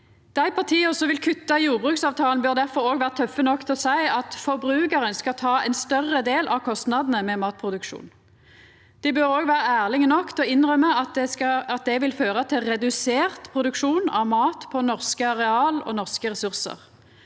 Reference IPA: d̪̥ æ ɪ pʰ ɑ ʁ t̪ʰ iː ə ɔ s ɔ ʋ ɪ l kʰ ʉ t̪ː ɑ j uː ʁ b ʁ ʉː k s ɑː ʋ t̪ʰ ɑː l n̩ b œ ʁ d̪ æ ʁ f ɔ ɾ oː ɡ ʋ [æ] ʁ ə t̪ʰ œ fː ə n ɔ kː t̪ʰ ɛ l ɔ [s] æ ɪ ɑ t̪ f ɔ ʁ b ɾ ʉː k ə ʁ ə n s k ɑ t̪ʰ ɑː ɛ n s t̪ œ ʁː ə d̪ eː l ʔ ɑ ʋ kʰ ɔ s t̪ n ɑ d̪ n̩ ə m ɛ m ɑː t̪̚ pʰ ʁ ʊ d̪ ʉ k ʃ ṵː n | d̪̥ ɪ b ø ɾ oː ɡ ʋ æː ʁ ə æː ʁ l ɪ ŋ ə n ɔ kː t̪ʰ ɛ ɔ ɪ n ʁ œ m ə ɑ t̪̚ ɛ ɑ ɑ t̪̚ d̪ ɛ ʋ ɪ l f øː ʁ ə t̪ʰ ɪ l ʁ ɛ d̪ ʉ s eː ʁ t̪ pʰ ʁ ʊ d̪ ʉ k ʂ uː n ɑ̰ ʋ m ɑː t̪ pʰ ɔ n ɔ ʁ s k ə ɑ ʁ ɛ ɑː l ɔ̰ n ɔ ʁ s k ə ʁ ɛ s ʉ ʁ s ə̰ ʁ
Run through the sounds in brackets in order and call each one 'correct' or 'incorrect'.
incorrect, correct

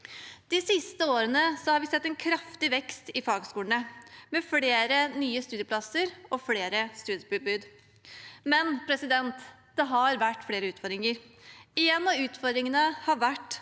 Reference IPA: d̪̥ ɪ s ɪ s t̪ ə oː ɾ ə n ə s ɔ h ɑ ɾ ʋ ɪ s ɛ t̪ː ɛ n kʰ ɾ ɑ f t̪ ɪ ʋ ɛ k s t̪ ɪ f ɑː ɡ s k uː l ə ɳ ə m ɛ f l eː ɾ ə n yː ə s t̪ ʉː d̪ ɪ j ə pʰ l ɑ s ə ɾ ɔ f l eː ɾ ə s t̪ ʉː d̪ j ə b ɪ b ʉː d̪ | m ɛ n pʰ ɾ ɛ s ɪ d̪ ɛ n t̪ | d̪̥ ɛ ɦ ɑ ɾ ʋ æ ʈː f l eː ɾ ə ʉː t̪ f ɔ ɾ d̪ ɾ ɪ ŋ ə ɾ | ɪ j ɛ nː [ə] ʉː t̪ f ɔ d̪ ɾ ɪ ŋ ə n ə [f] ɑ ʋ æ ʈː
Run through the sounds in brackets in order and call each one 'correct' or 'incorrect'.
incorrect, incorrect

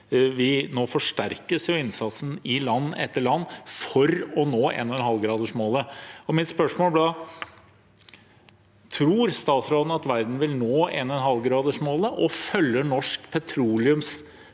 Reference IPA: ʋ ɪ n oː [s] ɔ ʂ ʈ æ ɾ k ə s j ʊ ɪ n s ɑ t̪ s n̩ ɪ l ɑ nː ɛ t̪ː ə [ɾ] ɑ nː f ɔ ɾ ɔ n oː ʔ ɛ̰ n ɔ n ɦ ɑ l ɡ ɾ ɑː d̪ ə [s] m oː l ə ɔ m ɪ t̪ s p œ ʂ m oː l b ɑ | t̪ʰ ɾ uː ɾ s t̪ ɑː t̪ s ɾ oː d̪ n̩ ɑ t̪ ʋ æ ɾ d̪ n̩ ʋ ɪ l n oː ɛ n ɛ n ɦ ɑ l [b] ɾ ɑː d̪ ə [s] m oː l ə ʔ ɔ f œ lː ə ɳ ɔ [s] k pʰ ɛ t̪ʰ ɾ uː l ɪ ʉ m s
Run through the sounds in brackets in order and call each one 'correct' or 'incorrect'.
incorrect, incorrect, incorrect, incorrect, incorrect, incorrect

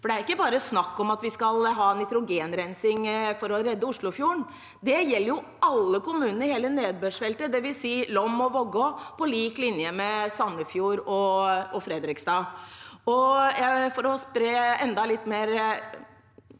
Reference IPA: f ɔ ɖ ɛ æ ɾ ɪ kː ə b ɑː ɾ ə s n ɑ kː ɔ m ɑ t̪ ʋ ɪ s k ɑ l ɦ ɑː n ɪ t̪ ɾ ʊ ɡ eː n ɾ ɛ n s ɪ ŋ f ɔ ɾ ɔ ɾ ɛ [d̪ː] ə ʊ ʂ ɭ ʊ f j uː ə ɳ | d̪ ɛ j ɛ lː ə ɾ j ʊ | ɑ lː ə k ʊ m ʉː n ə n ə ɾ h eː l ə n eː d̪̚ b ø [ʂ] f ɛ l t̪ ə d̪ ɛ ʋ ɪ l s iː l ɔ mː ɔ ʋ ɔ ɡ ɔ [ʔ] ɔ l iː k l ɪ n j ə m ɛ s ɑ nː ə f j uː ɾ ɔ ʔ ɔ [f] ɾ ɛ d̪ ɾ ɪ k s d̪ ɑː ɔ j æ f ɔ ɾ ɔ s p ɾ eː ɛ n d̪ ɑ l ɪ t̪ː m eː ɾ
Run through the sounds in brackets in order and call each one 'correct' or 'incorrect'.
correct, correct, incorrect, correct

